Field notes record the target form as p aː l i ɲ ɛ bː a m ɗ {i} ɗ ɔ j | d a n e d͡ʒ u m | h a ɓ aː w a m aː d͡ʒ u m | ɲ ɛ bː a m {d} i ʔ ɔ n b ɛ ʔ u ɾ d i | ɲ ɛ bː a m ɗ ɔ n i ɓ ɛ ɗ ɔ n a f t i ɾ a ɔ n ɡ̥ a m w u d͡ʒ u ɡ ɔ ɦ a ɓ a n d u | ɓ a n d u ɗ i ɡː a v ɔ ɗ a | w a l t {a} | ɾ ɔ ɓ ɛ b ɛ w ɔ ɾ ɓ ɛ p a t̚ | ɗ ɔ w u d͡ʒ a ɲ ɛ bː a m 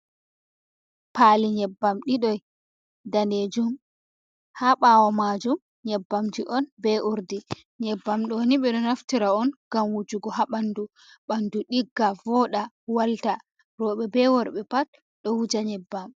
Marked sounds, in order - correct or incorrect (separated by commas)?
correct, incorrect, correct